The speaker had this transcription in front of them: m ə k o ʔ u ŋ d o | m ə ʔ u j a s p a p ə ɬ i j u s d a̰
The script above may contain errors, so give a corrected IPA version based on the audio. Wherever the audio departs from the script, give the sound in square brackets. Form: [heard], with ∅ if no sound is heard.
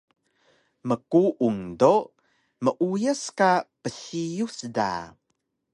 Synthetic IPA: m ə k [u] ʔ u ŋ d o | m ə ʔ u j [ə] s [k] a p ə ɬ i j u s d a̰